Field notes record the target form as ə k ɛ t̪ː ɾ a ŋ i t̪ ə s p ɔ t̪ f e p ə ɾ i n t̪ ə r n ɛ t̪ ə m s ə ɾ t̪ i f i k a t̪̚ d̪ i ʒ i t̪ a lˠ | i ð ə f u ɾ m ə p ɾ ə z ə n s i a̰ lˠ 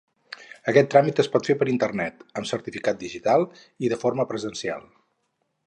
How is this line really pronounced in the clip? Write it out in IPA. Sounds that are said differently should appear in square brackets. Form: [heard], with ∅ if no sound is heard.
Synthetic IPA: ə k ɛ t̪ː ɾ a [m] i t̪ ə s p ɔ t̪ f e p ə ɾ i n t̪ ə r n ɛ t̪ ə m s ə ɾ t̪ i f i k a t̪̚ d̪ i ʒ i t̪ a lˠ | i ð ə f [o] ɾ m ə p ɾ ə z ə n s i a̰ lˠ